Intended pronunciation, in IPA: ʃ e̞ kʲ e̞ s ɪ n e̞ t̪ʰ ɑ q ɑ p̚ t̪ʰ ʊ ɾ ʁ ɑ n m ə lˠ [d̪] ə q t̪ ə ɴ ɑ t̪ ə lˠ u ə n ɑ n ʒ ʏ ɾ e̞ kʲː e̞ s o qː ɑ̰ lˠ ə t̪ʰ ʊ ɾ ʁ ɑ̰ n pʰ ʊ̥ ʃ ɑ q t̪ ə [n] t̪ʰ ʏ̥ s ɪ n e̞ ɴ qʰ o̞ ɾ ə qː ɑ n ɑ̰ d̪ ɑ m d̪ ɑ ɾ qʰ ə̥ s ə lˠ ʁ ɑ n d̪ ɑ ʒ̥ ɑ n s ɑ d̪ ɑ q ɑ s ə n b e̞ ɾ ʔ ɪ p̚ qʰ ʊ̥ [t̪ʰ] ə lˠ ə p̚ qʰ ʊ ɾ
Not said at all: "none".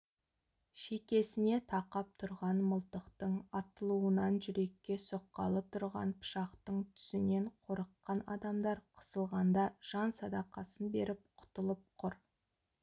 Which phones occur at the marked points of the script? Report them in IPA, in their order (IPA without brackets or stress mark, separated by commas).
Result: t̪, ɴ, t̪